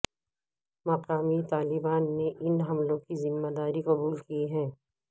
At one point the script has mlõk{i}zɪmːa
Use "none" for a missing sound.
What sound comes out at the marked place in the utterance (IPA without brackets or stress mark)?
i